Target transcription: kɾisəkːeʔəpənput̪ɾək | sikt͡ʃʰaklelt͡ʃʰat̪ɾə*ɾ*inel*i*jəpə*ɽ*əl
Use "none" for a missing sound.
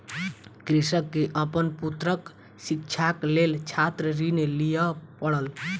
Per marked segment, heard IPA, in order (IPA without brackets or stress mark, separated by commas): ɾ, i, ɽ